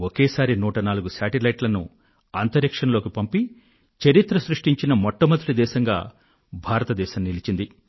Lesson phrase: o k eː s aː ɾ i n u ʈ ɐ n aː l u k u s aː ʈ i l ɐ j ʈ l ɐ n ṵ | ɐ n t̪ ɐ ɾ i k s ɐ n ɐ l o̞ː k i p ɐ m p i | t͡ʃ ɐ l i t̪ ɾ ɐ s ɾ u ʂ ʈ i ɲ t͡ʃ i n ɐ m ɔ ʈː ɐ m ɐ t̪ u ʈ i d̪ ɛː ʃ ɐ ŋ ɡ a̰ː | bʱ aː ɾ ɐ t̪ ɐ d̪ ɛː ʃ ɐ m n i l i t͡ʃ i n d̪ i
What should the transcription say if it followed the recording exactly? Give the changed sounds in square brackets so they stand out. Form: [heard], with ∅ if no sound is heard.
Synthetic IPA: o k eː s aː ɾ i n [uː] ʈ ɐ n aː l u [ɡ] u s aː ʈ i l ɐ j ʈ l ɐ n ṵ | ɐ n t̪ ɐ ɾ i k [ʂ] ɐ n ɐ l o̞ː k i p ɐ m p i | t͡ʃ ɐ [ɾ] i t̪ ɾ ɐ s ɾ u ʂ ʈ i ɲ t͡ʃ i n ɐ m ɔ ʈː ɐ m ɐ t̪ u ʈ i d̪ ɛː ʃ ɐ ŋ ɡ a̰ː | bʱ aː ɾ ɐ t̪ ɐ d̪ ɛː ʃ ɐ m n i l i t͡ʃ i n d̪ i